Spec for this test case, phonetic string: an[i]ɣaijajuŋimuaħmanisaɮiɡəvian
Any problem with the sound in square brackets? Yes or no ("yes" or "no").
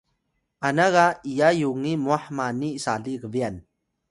yes